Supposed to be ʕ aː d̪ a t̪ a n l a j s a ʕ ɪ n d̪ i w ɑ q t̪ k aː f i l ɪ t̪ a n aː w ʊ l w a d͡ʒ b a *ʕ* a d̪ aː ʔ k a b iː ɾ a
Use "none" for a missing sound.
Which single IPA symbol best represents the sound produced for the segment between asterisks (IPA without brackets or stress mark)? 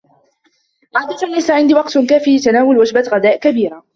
ɣ